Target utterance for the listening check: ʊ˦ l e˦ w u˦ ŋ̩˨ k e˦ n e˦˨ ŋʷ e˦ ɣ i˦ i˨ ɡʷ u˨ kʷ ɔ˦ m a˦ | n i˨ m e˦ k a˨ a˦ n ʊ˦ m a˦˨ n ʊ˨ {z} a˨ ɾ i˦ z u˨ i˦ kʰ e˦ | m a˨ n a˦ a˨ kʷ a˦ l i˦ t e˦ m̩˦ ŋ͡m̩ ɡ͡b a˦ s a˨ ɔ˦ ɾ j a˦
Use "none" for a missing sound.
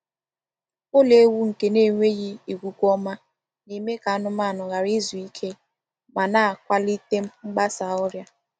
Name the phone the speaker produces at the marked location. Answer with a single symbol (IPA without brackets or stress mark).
ɣ